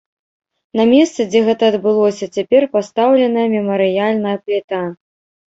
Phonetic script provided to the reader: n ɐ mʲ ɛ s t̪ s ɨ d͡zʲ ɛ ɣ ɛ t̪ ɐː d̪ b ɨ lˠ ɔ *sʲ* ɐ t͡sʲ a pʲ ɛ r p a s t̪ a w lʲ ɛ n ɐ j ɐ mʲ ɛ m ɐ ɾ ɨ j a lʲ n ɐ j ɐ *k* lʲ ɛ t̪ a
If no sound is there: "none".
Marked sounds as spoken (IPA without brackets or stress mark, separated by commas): sʲ, p